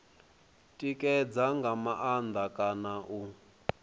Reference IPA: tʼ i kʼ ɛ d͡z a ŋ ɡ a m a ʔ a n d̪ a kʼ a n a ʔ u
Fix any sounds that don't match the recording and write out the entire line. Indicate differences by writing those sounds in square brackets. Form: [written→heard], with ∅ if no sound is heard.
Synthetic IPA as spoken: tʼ i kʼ ɛ d͡z a ŋ ɡ a m a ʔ a n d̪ a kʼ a n a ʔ u